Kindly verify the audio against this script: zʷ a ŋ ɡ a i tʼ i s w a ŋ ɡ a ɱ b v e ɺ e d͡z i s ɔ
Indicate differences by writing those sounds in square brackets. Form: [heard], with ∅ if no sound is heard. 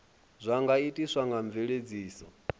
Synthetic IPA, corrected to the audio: zʷ a ŋ ɡ a i tʼ i s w a ŋ ɡ a ɱ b v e ɺ e d͡z [iː] s ɔ